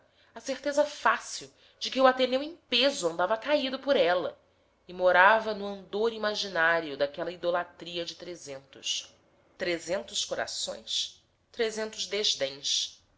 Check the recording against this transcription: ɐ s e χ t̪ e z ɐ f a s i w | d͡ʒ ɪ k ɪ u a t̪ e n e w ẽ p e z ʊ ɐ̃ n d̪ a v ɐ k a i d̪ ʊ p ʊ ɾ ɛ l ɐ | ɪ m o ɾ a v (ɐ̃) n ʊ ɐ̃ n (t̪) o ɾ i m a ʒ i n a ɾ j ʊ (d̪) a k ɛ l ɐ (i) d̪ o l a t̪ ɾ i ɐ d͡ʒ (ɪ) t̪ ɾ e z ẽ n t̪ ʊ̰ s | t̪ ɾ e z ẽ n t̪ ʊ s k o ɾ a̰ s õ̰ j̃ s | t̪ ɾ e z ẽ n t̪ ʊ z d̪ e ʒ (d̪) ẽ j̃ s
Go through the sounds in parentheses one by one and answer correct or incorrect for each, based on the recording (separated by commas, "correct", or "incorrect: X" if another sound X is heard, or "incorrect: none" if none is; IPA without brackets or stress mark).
incorrect: ɐ, incorrect: d̪, correct, correct, correct, correct